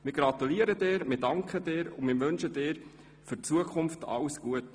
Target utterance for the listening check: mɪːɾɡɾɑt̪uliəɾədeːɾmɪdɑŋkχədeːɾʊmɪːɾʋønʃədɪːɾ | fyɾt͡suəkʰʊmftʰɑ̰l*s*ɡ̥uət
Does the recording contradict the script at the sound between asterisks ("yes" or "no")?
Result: no